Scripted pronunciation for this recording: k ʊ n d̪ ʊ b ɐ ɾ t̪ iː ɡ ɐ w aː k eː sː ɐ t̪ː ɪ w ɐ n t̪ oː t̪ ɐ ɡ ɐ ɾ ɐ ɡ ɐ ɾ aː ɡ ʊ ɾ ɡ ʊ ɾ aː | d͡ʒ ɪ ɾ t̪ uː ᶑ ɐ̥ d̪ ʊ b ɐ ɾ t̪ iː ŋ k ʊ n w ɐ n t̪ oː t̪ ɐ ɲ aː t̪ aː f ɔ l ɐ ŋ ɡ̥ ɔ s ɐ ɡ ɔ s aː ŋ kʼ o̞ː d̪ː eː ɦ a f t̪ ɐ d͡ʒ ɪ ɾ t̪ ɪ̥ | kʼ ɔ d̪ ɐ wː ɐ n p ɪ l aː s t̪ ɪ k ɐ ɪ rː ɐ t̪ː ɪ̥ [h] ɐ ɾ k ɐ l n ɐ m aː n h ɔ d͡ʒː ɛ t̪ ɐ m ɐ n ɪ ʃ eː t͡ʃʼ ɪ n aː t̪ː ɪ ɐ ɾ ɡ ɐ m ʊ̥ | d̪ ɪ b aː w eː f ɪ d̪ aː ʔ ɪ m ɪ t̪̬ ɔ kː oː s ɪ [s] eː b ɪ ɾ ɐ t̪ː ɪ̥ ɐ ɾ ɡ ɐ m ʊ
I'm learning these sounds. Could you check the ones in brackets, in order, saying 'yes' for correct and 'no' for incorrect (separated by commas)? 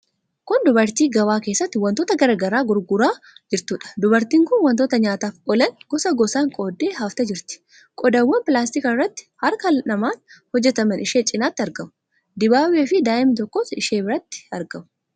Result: yes, no